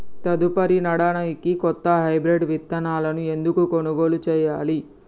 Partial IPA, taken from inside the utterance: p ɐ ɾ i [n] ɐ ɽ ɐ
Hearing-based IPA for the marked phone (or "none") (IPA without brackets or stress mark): n